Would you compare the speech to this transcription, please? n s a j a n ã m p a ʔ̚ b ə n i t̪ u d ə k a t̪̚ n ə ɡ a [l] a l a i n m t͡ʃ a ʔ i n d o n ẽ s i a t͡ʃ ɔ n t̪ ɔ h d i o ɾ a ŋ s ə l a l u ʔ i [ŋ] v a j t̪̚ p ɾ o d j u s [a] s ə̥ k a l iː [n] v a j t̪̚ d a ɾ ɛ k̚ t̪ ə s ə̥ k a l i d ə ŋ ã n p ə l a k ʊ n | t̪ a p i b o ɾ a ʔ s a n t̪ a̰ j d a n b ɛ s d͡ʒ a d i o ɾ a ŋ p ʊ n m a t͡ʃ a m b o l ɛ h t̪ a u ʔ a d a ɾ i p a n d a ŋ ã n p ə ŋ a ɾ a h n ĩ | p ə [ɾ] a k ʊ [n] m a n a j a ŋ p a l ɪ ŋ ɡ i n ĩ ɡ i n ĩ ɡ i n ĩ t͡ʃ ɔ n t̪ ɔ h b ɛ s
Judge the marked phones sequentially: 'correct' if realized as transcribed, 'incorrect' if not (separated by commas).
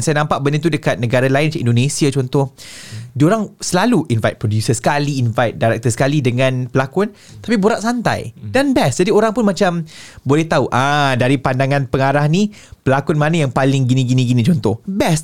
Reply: incorrect, incorrect, incorrect, correct, incorrect, correct